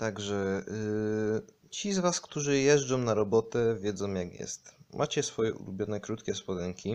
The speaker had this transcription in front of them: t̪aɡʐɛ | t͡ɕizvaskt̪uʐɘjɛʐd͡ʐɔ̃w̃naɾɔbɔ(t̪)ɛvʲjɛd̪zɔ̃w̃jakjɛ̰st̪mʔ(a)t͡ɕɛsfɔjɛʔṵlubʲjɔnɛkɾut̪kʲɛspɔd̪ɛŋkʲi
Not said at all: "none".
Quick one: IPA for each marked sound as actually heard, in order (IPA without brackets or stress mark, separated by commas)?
t̪, a